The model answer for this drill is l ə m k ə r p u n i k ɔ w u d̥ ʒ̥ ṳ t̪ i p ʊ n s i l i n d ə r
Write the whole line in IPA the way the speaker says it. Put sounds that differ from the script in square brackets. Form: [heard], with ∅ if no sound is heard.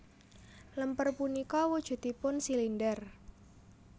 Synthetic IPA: l ə m [p] ə r p u n i k ɔ w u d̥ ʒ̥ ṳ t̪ i p ʊ n s i l i n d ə r